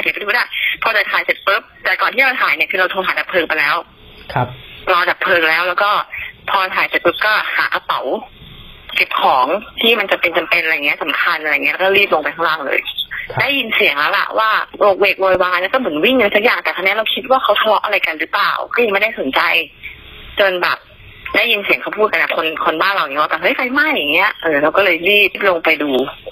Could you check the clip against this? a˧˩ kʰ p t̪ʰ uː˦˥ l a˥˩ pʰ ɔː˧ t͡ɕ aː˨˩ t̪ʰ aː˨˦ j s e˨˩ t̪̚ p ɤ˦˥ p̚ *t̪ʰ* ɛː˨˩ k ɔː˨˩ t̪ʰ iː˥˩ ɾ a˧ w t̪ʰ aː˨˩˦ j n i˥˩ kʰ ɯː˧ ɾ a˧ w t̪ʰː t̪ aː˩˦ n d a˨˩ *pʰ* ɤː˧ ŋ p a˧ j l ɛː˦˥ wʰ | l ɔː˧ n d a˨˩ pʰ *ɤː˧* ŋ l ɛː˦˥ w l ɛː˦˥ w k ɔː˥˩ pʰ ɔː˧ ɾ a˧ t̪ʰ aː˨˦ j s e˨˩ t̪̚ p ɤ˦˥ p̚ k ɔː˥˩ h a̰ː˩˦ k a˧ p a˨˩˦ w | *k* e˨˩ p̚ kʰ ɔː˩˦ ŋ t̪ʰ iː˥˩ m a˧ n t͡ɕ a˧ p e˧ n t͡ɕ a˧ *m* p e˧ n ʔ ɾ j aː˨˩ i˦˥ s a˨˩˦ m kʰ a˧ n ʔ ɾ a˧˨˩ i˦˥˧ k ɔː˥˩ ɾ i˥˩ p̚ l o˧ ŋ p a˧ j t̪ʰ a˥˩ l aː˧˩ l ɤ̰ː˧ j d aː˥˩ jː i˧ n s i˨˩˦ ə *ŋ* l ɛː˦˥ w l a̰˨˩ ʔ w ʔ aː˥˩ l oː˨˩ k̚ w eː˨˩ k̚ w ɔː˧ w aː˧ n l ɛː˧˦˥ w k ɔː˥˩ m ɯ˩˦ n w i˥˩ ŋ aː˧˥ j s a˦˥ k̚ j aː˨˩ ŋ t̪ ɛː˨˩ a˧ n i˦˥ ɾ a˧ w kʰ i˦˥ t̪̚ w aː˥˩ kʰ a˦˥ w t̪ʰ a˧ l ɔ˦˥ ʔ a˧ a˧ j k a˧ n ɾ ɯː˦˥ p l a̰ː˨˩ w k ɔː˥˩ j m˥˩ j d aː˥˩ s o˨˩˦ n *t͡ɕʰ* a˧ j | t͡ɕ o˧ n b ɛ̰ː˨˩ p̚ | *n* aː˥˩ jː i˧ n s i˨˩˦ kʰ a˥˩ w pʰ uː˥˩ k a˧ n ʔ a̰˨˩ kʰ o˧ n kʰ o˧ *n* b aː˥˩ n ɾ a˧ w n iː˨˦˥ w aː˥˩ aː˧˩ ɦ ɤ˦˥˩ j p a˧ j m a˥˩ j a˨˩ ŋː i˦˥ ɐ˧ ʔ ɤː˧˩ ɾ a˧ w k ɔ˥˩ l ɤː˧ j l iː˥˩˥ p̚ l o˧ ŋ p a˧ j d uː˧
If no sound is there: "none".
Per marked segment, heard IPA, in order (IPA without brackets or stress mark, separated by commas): t̪, pʰ, ɤː˧, k, m, ŋ, t͡ɕ, d, n